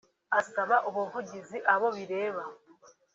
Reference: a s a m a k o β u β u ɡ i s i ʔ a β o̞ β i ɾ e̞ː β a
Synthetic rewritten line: a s a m a ʔ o β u v u ɟ i z i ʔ a β o̞ β i ɾ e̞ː β a